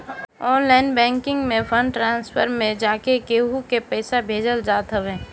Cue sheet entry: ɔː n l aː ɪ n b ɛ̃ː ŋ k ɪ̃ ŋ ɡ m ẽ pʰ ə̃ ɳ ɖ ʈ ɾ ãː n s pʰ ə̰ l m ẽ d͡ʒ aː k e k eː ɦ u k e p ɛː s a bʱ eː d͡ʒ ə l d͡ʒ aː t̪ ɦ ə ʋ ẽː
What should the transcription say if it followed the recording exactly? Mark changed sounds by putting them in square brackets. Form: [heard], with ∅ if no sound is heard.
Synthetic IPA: ɔː n l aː ɪ n b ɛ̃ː ŋ k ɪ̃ ŋ ɡ m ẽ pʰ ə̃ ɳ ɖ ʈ ɾ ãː n s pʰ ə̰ [ɾ] m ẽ d͡ʒ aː k e k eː ɦ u k e p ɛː s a bʱ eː d͡ʒ ə l d͡ʒ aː t̪ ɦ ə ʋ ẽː